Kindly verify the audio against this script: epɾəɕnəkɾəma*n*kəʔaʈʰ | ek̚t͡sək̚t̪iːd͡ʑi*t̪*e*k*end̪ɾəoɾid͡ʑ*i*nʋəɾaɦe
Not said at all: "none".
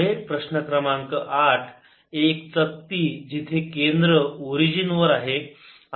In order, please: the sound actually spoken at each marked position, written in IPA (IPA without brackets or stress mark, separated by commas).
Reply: ŋ, t̪ʰ, k, i